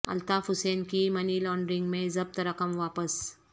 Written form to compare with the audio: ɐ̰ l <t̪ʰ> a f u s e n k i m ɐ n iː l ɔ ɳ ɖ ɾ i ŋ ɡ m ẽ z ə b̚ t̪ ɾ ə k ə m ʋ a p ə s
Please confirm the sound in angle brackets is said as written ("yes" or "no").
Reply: no